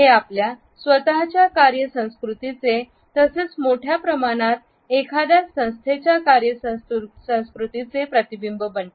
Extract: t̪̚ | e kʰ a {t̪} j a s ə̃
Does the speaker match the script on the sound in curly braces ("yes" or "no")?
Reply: no